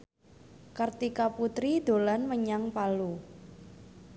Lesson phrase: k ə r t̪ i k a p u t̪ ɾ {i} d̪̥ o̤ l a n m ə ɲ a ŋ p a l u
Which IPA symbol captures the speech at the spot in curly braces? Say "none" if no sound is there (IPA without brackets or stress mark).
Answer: i